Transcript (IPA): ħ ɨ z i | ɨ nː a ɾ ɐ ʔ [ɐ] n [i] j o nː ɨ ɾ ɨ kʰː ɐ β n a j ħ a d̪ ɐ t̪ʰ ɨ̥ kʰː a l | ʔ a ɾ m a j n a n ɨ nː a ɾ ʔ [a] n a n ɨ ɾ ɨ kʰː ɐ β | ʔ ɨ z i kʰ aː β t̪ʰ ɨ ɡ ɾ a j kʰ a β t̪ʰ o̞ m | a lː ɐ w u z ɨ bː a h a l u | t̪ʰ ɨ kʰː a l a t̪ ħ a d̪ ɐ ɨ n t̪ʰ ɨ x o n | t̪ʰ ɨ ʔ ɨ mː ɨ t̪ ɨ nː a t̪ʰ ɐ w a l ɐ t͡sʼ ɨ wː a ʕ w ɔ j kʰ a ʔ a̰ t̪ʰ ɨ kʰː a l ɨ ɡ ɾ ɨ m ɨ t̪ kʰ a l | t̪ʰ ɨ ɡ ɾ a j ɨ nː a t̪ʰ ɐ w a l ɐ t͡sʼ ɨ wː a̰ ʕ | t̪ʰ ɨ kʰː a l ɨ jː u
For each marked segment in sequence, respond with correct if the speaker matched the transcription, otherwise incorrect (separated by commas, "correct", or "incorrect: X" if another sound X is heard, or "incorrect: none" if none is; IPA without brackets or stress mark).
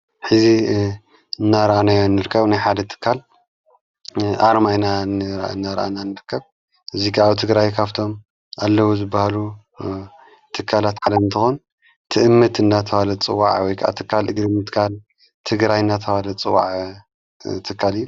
incorrect: a, incorrect: a, correct